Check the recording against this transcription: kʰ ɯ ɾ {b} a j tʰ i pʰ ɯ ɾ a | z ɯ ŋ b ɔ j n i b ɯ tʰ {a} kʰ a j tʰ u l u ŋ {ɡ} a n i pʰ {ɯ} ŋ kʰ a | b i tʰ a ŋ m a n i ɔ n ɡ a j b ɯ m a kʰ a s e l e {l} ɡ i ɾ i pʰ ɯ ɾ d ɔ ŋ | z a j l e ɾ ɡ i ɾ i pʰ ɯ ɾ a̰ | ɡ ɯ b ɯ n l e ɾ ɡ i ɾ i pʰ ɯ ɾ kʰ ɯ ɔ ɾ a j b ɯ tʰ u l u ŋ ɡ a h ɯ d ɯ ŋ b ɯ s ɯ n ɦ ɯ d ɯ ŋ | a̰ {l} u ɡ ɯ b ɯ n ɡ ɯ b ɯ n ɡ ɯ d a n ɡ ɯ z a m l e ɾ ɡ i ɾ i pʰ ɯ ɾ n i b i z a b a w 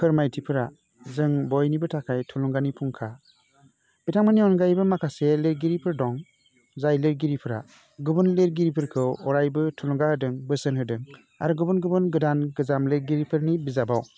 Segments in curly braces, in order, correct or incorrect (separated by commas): incorrect, correct, correct, incorrect, incorrect, incorrect